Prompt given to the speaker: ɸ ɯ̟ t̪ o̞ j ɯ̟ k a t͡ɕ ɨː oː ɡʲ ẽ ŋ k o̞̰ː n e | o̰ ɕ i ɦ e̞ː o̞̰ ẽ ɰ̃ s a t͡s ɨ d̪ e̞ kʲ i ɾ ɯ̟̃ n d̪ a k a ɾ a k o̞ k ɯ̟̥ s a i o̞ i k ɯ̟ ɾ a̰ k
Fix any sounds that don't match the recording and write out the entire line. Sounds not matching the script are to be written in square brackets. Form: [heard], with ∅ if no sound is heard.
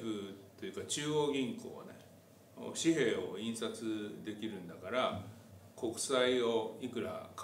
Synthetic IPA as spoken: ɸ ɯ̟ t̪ o̞ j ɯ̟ k a t͡ɕ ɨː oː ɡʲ [ĩ] ŋ k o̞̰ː n e | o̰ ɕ i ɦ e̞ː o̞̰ [ĩ] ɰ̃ s a t͡s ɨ d̪ e̞ kʲ i ɾ ɯ̟̃ n d̪ a k a ɾ a k o̞ k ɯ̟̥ s a i o̞ i k ɯ̟ ɾ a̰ k

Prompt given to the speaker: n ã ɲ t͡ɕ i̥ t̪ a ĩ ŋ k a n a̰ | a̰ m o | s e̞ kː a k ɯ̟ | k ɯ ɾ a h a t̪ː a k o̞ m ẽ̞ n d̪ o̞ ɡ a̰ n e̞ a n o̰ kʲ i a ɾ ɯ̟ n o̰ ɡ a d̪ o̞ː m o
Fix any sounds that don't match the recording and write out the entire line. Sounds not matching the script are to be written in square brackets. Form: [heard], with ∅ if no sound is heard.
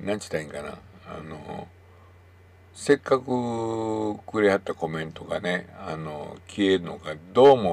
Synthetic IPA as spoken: n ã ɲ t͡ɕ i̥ t̪ a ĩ ŋ k a n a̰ | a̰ [n] o | s e̞ kː a k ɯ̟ | k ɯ ɾ [e] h a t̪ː a k o̞ m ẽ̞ n [t̪] o̞ ɡ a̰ n e̞ a n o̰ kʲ i [e] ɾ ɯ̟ n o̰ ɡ a d̪ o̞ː m o

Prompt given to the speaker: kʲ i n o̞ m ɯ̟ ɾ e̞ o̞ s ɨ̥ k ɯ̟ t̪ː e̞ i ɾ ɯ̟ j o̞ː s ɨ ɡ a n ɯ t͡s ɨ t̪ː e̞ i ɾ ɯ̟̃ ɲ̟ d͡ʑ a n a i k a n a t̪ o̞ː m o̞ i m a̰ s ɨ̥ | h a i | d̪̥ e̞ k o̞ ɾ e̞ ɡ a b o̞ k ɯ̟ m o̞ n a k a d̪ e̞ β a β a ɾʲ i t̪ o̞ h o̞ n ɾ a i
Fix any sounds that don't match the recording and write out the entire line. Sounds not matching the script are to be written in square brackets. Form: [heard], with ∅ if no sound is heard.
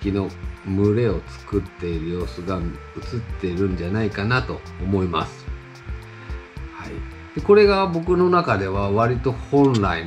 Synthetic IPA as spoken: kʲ i n o̞ m ɯ̟ ɾ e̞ o̞ [t͡s] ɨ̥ k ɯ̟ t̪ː e̞ i ɾ ɯ̟ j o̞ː s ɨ ɡ a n ɯ t͡s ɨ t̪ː e̞ i ɾ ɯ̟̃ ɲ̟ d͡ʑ a n a i k a n a t̪ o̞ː m o̞ i m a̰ s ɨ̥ | h a i | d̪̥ e̞ k o̞ ɾ e̞ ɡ a b o̞ k ɯ̟ [n] o̞ n a k a d̪ e̞ β a β a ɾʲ i t̪ o̞ h [õ̞] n ɾ a i

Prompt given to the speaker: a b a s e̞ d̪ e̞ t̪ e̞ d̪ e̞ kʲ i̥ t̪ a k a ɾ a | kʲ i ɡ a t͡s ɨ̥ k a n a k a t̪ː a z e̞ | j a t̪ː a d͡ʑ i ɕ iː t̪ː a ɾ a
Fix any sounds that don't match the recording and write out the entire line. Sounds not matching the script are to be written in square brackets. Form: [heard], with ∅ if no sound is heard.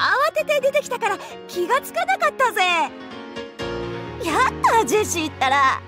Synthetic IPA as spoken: a [β] a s e̞ [t̪] e̞ [d̪] e̞ [t̪] e̞ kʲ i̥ t̪ a k a ɾ a | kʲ i ɡ a t͡s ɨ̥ k a n a k a t̪ː a z e̞ | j a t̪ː a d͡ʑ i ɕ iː t̪ː a ɾ a

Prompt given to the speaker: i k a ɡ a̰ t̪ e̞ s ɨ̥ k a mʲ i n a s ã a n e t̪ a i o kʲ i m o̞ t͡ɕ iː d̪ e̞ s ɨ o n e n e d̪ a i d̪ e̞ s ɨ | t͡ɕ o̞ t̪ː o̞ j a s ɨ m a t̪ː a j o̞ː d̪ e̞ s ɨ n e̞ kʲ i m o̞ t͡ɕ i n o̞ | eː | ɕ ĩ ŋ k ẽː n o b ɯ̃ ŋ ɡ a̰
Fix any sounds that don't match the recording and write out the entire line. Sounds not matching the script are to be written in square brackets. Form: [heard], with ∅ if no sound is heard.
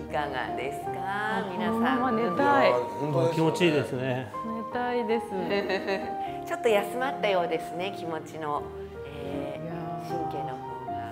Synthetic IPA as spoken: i k a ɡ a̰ [d̪] e̞ s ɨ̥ k a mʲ i n a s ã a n e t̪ a i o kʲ i m o̞ t͡ɕ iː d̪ e̞ s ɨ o n e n e [t̪] a i d̪ e̞ s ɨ | t͡ɕ o̞ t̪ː o̞ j a s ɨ m a t̪ː a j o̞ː d̪ e̞ s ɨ n e̞ kʲ i m o̞ t͡ɕ i n o̞ | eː | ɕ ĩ ŋ k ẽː n o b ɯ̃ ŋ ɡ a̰

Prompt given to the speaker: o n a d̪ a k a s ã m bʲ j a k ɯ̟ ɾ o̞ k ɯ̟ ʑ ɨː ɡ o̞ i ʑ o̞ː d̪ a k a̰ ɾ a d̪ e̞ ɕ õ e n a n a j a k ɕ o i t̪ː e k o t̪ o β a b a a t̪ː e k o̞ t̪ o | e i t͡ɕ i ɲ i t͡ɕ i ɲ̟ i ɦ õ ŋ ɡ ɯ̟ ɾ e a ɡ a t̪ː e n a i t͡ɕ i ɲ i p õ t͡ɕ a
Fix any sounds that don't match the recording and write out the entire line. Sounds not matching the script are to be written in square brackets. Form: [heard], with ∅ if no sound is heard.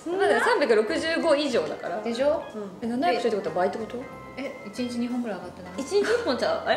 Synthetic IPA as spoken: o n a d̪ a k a s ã m bʲ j a k ɯ̟ ɾ o̞ k ɯ̟ ʑ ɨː ɡ o̞ i ʑ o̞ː d̪ a k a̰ ɾ a d̪ e̞ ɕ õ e n a n a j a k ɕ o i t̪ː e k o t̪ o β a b a [i] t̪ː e k o̞ t̪ o | e i t͡ɕ i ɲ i t͡ɕ i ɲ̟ i ɦ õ ŋ ɡ ɯ̟ ɾ [a] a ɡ a t̪ː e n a i t͡ɕ i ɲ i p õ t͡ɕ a

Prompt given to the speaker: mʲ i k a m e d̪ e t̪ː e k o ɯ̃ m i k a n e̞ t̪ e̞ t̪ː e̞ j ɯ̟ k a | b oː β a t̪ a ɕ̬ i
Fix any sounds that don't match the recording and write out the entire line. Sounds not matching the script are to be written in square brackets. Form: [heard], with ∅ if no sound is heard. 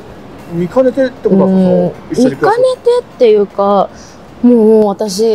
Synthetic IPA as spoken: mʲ i k a [n] e [t̪] e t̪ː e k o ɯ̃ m i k a n e̞ t̪ e̞ t̪ː e̞ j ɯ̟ k a | [m] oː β a t̪ a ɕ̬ i

